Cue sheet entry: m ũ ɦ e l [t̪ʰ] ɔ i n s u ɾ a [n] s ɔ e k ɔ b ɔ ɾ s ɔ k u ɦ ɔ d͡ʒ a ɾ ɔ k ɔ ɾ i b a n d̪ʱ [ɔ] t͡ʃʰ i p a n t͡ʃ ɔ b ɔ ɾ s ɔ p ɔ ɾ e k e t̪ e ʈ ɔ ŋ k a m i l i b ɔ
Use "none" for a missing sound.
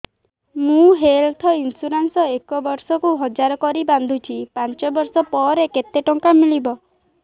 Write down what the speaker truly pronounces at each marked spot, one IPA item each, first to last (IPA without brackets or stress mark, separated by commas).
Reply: t̪ʰ, n, u